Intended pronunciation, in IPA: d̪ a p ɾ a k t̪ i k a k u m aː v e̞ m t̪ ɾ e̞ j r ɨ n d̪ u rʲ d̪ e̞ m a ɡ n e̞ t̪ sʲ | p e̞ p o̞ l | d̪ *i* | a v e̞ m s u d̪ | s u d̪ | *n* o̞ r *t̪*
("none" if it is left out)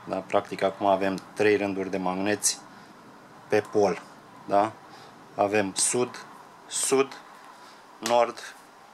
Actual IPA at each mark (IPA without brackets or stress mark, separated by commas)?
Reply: a, n, d̪